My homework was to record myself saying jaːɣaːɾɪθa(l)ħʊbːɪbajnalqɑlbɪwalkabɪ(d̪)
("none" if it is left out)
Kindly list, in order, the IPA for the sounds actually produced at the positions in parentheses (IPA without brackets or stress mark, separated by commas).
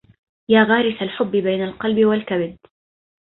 l, d̪